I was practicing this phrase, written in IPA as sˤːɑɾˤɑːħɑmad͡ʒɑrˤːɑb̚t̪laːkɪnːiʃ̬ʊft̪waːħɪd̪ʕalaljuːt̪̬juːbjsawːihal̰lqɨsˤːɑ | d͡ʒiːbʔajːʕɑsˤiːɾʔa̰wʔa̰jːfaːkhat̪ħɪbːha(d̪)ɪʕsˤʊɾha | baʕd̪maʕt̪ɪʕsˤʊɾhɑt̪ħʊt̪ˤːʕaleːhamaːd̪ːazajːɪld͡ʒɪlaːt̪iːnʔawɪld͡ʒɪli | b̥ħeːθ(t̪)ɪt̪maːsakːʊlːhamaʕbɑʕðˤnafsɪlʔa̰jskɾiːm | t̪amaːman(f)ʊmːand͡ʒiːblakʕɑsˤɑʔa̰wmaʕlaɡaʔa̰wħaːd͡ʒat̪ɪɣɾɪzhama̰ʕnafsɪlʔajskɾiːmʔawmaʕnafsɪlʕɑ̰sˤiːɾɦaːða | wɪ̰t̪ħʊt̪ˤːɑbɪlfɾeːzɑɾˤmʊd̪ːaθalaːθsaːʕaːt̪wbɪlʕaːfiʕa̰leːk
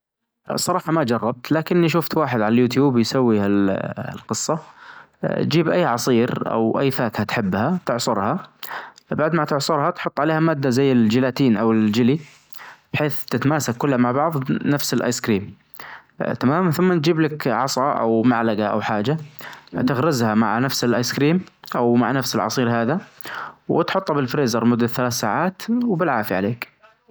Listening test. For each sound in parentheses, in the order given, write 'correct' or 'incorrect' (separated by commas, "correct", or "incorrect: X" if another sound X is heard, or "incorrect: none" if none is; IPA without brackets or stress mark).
incorrect: t̪, correct, incorrect: θ